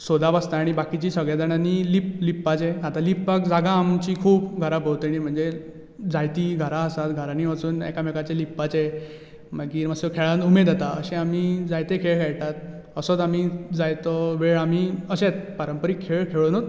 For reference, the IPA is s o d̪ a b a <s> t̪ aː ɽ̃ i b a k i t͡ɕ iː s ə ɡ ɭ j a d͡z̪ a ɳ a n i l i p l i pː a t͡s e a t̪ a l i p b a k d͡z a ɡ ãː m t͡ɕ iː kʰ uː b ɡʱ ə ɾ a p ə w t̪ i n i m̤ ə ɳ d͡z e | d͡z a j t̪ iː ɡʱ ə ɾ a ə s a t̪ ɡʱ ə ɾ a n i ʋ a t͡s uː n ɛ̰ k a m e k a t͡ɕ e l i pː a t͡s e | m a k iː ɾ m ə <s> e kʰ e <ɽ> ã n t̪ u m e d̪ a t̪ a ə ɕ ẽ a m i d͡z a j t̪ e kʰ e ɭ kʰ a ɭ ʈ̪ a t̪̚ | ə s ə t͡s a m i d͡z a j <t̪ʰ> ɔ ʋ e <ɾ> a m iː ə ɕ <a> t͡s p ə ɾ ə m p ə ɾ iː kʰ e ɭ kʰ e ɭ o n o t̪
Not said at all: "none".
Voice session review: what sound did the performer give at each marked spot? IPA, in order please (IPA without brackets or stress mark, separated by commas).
s, s, ɭ, t̪, ɭ, e